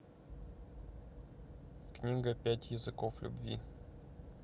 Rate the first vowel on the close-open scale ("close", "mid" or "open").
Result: close